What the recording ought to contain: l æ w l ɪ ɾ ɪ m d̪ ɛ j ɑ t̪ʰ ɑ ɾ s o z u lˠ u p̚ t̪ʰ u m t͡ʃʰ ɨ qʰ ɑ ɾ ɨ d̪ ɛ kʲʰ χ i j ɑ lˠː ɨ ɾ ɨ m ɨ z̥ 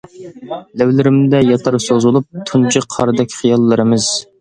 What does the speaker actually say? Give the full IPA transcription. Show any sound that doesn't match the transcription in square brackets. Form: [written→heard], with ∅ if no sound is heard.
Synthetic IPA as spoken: l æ w l ɪ ɾ ɪ m d̪ ɛ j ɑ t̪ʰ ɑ ɾ s o z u lˠ u p̚ t̪ʰ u [m→n] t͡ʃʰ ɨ qʰ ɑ ɾ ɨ d̪ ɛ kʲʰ χ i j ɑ lˠː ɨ ɾ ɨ m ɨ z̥